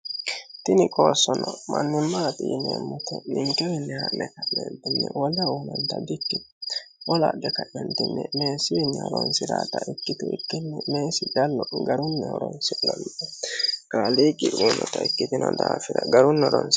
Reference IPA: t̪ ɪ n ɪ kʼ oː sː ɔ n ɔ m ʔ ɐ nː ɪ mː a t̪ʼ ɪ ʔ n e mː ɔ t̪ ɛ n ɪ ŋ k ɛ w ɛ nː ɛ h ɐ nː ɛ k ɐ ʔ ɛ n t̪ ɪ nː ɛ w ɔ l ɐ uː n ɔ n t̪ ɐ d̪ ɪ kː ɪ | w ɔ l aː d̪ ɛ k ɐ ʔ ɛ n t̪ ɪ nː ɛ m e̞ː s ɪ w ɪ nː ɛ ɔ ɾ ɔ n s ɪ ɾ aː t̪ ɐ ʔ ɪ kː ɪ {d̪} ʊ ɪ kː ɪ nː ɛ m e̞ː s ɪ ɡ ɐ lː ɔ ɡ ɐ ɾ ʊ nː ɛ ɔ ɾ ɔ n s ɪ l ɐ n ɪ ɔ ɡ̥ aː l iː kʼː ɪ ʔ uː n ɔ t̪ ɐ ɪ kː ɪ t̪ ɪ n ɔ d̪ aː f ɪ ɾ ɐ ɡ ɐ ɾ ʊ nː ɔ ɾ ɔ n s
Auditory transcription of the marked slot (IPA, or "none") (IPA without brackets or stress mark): t̪